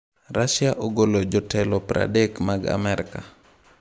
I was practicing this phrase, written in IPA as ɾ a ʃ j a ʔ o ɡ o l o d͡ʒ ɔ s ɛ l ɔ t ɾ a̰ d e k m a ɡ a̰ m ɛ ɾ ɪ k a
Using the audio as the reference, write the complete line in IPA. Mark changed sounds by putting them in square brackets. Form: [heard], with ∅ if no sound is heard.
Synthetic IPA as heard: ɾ a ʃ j a ʔ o ɡ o l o d͡ʒ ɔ [t] ɛ l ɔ [p] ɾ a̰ d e k m a ɡ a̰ m ɛ ɾ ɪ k a